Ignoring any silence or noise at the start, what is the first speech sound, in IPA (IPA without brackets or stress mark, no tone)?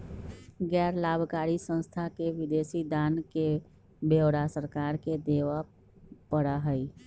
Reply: ɡ